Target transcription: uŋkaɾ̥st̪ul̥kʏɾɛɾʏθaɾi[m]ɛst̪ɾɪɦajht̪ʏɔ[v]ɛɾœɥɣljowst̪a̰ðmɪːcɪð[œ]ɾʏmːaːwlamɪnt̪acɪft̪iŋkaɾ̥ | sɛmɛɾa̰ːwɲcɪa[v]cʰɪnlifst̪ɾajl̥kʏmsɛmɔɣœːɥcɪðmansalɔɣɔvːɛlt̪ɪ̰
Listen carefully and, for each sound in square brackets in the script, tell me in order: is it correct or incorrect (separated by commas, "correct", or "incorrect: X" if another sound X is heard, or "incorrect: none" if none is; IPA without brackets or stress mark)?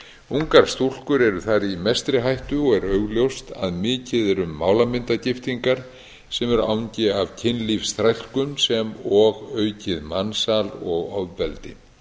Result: correct, incorrect: ɣ, incorrect: ɛ, correct